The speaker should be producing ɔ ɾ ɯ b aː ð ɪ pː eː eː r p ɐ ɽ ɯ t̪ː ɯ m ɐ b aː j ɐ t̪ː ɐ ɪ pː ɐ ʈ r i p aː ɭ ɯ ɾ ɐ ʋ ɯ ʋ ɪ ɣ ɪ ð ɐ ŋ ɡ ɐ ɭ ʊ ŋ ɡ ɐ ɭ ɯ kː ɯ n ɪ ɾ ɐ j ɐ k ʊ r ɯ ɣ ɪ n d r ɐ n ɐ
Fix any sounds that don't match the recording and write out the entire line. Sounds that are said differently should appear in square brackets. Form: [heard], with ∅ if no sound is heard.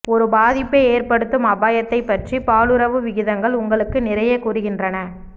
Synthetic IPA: ɔ ɾ ɯ b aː ð ɪ pː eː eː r p ɐ ɽ ɯ t̪ː ɯ m ɐ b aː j ɐ t̪ː ɐ ɪ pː ɐ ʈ r i p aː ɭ ɯ ɾ ɐ ʋ ɯ ʋ ɪ ɣ ɪ ð ɐ ŋ ɡ ɐ ɭ ʊ ŋ ɡ ɐ ɭ ɯ kː ɯ n ɪ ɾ ɐ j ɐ k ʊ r ɯ ɣ ɪ n d r ɐ n ɐ